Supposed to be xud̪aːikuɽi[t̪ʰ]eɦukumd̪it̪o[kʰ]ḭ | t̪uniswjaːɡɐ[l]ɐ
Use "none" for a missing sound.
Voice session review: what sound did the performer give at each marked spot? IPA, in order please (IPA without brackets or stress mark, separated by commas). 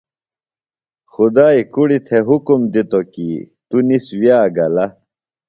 t̪ʰ, k, l